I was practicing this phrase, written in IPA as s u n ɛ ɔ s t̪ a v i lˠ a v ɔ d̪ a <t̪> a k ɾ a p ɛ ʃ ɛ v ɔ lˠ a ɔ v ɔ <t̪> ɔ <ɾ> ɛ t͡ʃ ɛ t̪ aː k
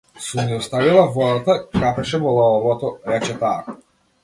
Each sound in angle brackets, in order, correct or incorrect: correct, correct, correct

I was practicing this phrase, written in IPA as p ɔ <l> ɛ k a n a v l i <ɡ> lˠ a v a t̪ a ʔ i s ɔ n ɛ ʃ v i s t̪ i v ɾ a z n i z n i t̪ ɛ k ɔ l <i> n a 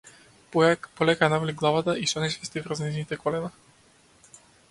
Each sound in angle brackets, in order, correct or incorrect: correct, correct, incorrect

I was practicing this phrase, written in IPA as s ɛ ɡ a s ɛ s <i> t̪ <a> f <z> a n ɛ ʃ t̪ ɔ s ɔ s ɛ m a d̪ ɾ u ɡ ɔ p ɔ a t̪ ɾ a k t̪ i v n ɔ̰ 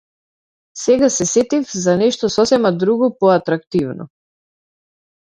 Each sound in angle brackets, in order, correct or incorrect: incorrect, incorrect, correct

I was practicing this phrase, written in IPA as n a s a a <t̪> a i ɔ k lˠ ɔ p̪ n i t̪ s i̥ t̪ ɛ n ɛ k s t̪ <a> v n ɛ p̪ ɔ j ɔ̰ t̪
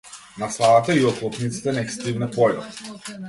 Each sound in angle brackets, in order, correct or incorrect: correct, incorrect

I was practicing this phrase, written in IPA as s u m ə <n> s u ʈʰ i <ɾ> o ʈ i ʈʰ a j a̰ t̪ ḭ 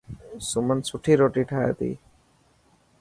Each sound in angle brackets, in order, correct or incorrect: correct, correct

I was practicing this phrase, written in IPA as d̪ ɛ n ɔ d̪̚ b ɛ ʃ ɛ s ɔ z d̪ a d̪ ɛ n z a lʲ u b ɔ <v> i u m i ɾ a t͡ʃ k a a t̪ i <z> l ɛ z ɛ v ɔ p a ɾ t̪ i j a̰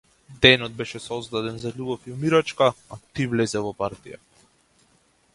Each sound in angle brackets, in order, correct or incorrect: incorrect, incorrect

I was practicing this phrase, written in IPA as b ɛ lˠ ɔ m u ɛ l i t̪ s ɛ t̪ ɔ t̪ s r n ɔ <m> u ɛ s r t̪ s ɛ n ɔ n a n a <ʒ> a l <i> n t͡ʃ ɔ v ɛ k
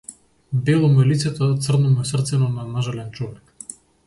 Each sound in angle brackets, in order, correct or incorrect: correct, correct, incorrect

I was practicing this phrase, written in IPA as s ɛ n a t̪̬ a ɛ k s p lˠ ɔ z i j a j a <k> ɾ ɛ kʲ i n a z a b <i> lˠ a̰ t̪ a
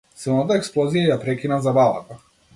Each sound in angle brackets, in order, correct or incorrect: incorrect, incorrect

